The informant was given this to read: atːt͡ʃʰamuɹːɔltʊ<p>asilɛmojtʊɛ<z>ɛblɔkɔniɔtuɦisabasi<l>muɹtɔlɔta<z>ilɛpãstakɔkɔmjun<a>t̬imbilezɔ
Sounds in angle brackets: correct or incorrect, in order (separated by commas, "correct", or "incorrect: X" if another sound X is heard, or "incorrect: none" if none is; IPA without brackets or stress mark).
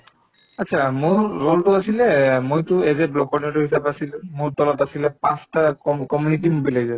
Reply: incorrect: none, correct, correct, incorrect: s, incorrect: i